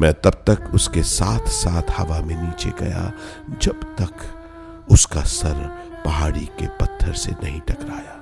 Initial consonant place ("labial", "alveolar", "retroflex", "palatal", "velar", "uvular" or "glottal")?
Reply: labial